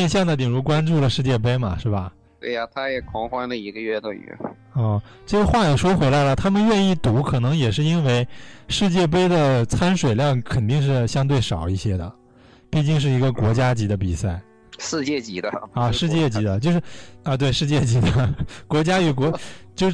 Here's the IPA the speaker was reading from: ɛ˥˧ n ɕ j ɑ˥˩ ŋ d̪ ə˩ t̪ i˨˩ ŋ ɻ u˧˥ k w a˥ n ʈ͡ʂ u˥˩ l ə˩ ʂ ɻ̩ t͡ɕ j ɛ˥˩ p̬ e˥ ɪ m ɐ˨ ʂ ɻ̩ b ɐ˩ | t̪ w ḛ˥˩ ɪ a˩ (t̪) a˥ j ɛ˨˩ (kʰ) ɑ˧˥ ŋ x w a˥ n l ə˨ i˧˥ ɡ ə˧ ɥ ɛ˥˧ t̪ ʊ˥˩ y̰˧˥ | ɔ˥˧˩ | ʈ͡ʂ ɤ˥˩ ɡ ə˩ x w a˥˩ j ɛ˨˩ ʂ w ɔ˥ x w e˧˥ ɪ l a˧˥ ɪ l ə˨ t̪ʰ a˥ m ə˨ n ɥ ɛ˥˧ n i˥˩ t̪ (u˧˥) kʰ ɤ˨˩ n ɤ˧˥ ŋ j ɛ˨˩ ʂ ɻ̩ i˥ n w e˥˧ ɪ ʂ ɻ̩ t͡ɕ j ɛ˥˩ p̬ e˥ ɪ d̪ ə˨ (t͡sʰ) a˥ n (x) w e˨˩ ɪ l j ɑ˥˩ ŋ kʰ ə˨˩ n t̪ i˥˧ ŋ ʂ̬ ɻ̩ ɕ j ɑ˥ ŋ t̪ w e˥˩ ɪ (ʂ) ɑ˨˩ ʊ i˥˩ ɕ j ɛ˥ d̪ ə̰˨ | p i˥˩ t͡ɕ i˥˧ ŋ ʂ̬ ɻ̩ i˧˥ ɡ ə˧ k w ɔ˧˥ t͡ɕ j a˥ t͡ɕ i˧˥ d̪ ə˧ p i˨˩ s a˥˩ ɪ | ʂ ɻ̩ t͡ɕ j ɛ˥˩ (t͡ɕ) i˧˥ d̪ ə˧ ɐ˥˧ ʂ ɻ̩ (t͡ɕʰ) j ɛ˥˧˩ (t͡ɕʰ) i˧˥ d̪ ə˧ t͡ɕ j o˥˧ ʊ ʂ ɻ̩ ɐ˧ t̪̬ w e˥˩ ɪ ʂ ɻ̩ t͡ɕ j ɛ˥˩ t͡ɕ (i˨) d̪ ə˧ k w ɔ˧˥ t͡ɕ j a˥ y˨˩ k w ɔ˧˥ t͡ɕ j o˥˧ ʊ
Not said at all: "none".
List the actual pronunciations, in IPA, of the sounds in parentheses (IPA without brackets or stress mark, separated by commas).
t̪ʰ, kʰ, u˧˥, t͡sʰ, ʂ, ʂ, t͡ɕ, t͡ɕ, t͡ɕ, i˧˥